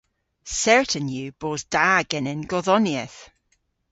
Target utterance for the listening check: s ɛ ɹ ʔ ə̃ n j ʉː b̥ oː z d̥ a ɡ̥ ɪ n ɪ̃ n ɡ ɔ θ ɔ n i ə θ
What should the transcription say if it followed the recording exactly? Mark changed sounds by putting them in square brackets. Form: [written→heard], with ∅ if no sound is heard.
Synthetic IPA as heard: s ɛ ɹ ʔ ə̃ n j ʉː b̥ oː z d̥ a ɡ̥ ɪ n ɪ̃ n ɡ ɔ [θ→ð] ɔ n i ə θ